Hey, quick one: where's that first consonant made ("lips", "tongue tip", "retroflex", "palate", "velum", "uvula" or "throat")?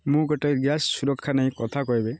lips